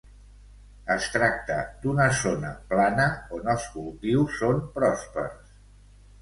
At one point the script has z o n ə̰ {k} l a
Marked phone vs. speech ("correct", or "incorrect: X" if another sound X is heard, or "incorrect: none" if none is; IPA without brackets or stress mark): incorrect: p